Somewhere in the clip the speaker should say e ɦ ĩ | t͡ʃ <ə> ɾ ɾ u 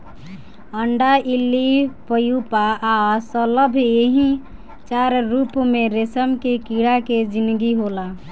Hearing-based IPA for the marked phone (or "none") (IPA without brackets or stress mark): a